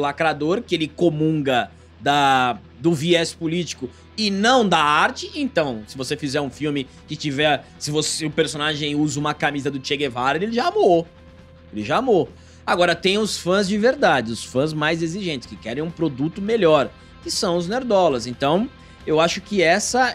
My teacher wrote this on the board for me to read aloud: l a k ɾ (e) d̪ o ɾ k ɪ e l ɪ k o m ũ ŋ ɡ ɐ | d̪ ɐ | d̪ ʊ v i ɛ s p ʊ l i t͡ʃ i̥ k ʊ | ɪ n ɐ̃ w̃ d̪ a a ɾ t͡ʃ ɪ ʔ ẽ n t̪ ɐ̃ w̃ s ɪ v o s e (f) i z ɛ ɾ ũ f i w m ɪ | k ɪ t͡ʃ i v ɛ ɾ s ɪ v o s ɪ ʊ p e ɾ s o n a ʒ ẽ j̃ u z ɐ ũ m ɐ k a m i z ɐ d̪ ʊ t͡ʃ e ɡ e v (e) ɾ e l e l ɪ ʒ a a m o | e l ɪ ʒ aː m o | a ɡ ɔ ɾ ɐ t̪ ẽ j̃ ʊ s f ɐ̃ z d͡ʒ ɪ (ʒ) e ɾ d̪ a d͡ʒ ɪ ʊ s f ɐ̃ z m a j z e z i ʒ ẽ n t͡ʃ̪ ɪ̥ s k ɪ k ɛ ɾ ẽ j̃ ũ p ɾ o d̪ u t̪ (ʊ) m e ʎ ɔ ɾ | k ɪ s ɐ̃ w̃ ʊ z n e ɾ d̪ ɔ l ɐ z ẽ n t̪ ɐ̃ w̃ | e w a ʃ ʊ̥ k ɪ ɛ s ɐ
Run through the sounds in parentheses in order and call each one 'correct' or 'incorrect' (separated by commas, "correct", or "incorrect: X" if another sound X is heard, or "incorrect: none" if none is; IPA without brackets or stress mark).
incorrect: a, correct, incorrect: a, incorrect: v, correct